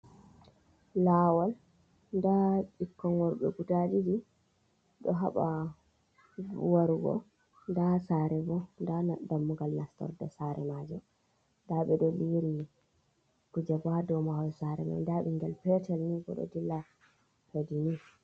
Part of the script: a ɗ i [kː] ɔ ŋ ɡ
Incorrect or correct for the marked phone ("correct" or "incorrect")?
correct